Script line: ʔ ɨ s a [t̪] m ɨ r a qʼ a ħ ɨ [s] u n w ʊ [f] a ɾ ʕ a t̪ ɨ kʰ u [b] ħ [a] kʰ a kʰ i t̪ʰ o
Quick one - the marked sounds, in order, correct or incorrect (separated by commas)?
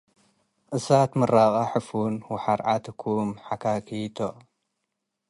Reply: correct, incorrect, incorrect, incorrect, correct